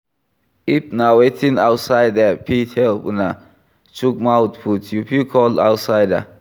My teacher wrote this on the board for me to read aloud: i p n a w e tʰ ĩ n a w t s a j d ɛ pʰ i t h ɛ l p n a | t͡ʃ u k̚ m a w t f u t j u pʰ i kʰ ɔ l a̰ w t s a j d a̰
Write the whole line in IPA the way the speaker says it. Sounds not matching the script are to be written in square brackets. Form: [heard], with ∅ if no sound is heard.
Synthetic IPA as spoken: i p n a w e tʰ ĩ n a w t s a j d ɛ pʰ i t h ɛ l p n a | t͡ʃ u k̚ m a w t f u t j u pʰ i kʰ ɔ l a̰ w t s a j d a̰

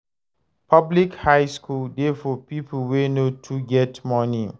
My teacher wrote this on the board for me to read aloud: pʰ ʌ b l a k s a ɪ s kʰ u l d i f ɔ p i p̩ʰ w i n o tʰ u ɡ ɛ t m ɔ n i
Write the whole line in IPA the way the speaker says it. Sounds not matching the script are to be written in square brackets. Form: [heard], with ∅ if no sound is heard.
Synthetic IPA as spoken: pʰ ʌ b l [i] k [h] a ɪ s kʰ u l d [e] f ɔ p i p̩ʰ w [e] n o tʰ u ɡ ɛ t m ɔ n i

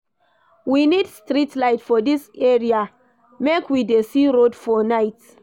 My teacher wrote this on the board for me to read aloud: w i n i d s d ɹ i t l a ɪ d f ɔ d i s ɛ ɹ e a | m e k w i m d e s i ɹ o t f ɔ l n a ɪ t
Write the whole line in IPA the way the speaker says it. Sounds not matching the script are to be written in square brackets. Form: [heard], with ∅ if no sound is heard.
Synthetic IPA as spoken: w i n i d s [t] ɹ i t l a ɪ [t] f ɔ d i s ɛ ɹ [i] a | m e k w i [∅] d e s i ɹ o [d] f ɔ [∅] n a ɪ t

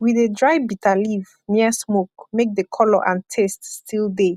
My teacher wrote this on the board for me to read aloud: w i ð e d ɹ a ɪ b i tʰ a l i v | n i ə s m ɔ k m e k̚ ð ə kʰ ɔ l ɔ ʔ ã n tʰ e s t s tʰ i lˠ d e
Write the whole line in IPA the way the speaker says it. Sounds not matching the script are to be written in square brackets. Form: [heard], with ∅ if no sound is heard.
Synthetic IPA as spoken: w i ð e d ɹ a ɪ b i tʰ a l i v | n i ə s m [o] k m e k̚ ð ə kʰ ɔ l ɔ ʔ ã n tʰ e s t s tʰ i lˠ d e

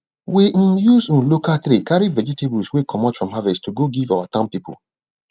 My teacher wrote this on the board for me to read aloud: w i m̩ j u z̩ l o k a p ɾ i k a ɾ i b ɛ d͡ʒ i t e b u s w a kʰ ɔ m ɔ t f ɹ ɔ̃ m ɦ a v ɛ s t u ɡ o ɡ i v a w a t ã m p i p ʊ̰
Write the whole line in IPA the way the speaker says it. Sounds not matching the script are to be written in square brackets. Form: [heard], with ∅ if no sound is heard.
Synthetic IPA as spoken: w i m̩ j u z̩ l o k a [t] ɾ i k a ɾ i [v] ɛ d͡ʒ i t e b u s w [e] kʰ ɔ m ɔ t f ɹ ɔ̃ m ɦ a v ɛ s t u ɡ o ɡ i v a w a t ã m p i p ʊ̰

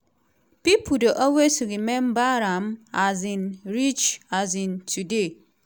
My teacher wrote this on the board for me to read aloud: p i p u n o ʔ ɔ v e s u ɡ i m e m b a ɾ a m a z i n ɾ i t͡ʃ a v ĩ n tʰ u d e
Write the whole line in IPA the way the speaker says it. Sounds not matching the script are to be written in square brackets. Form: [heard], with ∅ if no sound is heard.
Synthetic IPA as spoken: p i p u [d] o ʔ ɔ [w] e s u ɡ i m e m b a ɾ a m a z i n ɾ i t͡ʃ a [z] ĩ n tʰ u d e

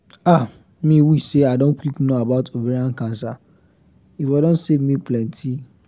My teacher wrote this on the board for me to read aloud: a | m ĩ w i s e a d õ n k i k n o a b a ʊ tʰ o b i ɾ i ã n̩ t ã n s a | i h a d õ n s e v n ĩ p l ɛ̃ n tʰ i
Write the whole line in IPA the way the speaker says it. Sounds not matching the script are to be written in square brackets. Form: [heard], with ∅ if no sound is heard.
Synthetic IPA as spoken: a | m ĩ w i s e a d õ n k i k n o a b a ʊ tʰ o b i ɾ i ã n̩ [k] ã n s a | i [f] a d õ n s e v [m] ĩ p l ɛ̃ n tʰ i

